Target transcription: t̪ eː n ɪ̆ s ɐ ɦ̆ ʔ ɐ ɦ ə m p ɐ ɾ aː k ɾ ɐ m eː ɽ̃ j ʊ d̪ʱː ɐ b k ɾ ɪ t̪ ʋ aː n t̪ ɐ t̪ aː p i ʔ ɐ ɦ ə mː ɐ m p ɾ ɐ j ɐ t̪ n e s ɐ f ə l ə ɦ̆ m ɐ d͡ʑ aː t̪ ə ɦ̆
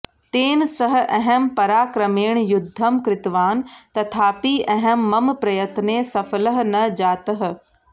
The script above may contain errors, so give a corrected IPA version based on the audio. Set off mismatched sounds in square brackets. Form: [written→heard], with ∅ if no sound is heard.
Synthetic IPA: t̪ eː n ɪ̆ s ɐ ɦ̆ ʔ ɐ ɦ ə m p ɐ ɾ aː k ɾ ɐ m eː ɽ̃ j ʊ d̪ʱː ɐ [b→m] k ɾ ɪ t̪ ʋ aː n t̪ ɐ [t̪→t̪ʰ] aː p i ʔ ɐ ɦ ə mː ɐ m p ɾ ɐ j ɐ t̪ n e s ɐ f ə l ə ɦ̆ [m→n] ɐ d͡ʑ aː t̪ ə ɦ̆